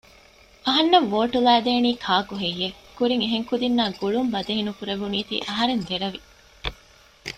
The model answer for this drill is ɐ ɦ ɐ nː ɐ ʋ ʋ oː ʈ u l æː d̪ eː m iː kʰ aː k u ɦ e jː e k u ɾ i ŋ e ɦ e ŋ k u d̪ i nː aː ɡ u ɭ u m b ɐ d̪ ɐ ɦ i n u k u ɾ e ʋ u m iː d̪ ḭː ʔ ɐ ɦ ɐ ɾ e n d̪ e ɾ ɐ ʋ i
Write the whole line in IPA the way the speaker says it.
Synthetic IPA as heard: ɐ ɦ ɐ nː ɐ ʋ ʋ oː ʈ u l æː d̪ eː n iː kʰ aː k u ɦ e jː e k u ɾ i ŋ e ɦ e ŋ k u d̪ i nː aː ɡ u ɭ u m b ɐ d̪ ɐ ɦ i n u k u ɾ e ʋ u n iː t̪ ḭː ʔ ɐ ɦ ɐ ɾ e n d̪ e ɾ ɐ ʋ i